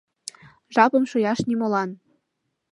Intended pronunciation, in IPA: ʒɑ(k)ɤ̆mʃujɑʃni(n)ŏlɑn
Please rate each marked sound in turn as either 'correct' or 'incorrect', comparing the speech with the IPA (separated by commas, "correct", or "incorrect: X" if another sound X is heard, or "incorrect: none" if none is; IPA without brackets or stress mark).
incorrect: p, incorrect: m